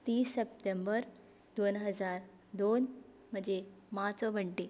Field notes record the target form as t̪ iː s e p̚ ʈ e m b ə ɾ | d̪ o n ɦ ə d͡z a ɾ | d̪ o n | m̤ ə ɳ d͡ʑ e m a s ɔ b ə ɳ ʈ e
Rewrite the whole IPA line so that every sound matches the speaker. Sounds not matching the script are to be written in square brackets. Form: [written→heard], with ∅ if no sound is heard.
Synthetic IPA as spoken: t̪ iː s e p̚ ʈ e m b ə ɾ | d̪ o n ɦ ə d͡z a ɾ | d̪ o n | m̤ ə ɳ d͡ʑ e m a [s→t͡s] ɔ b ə ɳ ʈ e